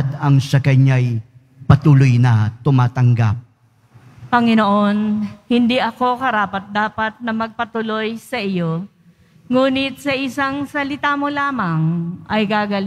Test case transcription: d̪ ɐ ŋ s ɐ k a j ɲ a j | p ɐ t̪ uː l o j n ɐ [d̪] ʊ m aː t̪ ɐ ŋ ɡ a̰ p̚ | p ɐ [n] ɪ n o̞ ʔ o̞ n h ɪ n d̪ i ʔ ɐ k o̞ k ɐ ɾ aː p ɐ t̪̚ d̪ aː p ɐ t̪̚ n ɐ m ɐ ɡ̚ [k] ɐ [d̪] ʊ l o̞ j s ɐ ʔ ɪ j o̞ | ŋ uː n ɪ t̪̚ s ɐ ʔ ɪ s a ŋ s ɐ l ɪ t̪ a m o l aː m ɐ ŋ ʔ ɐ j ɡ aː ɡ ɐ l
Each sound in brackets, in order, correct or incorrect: incorrect: t̪, incorrect: ŋ, incorrect: p, incorrect: t̪

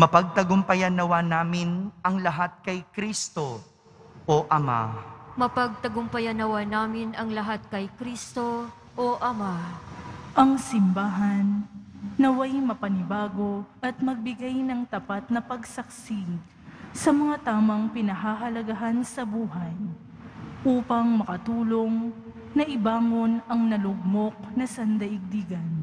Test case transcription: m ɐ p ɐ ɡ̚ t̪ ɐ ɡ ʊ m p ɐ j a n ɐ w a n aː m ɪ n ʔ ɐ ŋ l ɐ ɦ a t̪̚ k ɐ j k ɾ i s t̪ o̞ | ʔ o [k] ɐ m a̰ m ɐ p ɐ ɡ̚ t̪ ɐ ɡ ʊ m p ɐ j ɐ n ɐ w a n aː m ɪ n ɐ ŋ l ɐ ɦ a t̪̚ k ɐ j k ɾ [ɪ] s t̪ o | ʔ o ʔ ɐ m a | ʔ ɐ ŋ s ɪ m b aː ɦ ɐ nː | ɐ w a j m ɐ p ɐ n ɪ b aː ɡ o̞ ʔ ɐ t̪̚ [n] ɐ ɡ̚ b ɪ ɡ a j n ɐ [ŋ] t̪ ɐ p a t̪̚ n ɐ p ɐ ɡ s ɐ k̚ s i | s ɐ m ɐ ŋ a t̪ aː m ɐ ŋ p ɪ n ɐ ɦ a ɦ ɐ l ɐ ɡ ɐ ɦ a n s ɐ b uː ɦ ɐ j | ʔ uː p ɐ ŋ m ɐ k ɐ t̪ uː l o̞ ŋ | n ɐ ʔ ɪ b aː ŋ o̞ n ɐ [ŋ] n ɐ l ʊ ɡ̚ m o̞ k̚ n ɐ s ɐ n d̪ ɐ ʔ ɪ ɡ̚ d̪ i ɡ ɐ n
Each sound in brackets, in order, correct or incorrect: incorrect: ʔ, incorrect: i, incorrect: m, correct, correct

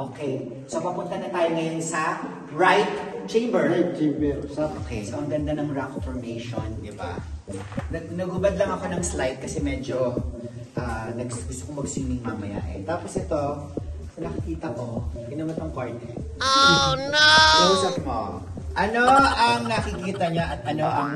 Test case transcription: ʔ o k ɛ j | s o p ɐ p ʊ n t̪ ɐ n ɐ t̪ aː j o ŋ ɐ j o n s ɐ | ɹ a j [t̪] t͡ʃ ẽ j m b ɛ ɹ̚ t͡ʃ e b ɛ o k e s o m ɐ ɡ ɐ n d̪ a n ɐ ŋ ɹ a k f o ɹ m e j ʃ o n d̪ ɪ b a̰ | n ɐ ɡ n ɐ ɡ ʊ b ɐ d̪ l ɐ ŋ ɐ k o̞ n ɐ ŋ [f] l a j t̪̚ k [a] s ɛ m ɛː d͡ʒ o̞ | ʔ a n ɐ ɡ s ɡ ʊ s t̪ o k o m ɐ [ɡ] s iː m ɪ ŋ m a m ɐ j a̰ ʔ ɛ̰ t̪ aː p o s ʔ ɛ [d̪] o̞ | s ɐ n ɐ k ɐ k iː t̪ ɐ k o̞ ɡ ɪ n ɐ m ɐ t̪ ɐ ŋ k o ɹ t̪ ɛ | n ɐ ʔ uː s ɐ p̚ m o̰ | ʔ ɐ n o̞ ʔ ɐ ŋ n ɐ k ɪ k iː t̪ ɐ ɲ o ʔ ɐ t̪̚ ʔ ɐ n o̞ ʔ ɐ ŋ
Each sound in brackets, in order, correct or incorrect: correct, incorrect: s, incorrect: ɐ, correct, incorrect: t̪

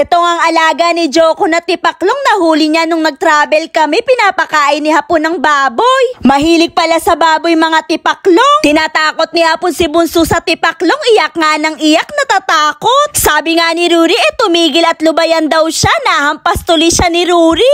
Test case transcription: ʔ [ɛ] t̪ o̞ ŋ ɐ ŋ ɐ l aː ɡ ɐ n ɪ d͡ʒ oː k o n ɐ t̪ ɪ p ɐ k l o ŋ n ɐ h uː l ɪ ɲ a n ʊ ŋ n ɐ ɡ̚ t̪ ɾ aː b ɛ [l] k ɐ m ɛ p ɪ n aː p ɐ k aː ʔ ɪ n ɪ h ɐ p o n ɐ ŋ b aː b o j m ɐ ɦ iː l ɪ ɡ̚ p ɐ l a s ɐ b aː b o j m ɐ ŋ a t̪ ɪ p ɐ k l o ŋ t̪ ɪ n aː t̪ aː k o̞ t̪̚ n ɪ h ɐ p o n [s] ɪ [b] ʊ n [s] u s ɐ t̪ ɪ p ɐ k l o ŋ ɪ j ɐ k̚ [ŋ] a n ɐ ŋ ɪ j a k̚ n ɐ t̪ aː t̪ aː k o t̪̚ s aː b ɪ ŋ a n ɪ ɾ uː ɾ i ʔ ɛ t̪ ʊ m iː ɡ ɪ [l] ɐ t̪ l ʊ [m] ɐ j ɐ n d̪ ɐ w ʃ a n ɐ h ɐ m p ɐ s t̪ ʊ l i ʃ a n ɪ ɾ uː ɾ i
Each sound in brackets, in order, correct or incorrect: correct, correct, correct, correct, correct, correct, correct, incorrect: b

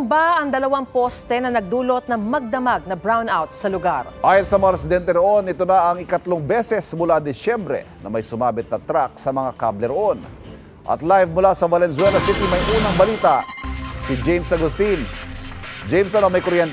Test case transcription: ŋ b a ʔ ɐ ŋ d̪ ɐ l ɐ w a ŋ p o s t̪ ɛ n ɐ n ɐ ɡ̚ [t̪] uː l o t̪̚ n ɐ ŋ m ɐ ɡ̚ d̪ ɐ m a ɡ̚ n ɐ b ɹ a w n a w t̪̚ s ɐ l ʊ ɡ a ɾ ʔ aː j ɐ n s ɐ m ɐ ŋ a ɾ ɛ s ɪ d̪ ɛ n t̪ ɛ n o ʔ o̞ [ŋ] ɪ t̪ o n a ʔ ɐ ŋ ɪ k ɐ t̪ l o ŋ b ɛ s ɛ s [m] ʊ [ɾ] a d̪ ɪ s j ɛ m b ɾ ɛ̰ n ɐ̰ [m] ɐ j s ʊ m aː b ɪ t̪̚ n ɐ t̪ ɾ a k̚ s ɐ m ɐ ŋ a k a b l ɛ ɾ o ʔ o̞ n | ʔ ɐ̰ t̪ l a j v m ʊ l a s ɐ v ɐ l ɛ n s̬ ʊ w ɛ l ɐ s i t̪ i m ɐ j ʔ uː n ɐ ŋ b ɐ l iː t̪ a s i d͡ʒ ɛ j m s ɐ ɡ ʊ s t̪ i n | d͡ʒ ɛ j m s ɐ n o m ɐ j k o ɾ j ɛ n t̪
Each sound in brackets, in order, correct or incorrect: incorrect: d̪, incorrect: n, correct, incorrect: l, correct

